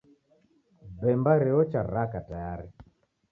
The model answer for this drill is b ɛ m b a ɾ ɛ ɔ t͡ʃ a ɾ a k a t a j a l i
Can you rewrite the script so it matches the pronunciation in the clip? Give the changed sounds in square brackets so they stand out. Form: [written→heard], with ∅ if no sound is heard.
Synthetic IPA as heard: b ɛ m b a ɾ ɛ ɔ t͡ʃ a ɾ a k a t a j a [l→ɾ] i

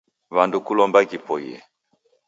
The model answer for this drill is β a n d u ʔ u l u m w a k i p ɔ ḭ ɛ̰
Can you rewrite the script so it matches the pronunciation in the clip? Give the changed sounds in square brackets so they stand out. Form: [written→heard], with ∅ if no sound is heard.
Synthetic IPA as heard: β a n d u [ʔ→k] u l [u→ɔ] m [w→b] a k i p ɔ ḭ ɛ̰

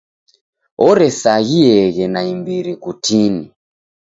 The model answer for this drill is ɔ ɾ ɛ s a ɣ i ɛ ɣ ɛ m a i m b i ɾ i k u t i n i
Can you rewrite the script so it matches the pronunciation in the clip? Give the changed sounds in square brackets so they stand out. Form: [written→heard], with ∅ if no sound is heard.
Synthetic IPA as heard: ɔ ɾ ɛ s a ɣ i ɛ ɣ ɛ [m→n] a i m b i ɾ i k u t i n i

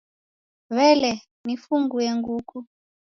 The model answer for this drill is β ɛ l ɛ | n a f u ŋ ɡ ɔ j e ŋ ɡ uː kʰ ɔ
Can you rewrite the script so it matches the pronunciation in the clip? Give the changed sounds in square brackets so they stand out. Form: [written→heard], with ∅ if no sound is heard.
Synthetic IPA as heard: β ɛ l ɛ | n [a→i] f u ŋ ɡ [ɔ→u] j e ŋ ɡ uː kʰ [ɔ→u]

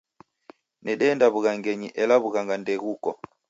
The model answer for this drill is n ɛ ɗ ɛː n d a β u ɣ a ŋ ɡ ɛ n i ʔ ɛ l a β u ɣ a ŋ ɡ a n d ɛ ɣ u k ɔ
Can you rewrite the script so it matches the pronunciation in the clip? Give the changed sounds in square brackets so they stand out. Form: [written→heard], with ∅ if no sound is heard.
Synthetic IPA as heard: n ɛ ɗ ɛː n d a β u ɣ a ŋ ɡ ɛ [n→ɲ] i ʔ ɛ l a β u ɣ a ŋ ɡ a n d ɛ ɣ u k ɔ

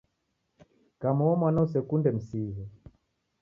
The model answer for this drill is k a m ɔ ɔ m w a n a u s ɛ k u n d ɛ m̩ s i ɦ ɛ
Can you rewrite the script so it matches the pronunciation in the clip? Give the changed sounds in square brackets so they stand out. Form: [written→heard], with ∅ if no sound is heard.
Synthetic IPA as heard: k a m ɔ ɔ m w a n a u s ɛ k u n d ɛ m̩ s i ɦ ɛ

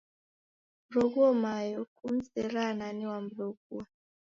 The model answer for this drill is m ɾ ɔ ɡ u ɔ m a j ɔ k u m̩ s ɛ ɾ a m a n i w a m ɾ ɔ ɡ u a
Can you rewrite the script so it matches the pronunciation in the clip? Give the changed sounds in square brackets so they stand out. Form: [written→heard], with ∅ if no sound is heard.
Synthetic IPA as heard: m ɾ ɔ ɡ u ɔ m a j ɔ k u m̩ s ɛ ɾ a [m→n] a n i w a m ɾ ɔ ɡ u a

